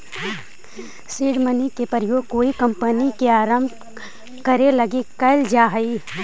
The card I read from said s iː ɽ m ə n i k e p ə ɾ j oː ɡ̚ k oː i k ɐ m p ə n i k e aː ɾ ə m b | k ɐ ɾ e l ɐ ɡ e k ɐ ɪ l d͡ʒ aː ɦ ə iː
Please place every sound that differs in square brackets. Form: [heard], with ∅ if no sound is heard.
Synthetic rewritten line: s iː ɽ m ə n i k e p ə ɾ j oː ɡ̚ k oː i k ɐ m p ə n i k e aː ɾ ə m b | k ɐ ɾ e l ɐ ɡ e k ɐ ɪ l d͡ʒ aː ɦ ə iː